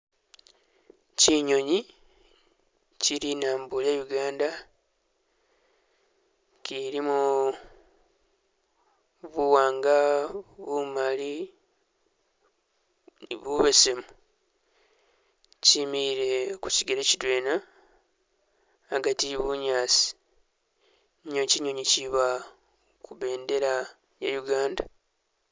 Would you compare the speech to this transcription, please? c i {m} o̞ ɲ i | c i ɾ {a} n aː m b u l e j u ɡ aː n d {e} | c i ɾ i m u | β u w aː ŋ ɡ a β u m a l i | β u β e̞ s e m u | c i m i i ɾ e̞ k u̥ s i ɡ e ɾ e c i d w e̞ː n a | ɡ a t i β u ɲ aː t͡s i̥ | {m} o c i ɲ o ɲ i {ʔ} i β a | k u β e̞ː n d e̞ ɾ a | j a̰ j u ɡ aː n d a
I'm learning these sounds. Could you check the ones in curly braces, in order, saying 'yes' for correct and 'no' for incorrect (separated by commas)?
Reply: no, no, no, no, no